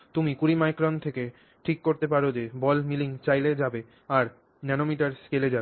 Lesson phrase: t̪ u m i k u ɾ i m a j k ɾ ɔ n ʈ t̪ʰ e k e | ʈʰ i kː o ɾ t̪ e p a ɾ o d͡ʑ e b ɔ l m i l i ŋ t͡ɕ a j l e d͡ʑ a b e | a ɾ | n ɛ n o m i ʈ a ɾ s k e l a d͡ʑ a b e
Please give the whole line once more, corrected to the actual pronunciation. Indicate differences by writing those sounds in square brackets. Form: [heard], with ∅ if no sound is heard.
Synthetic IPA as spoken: t̪ u m i k u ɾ i m a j k ɾ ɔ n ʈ t̪ʰ e k e | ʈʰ i kː o ɾ t̪ e p a ɾ o d͡ʑ e b ɔ l m i l i ŋ t͡ɕ a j l e d͡ʑ a b e | a ɾ | n ɛ n o m i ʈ a ɾ s k e l [e] d͡ʑ a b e